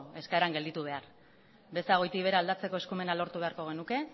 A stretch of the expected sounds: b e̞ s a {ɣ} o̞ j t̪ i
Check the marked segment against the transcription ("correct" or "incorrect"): correct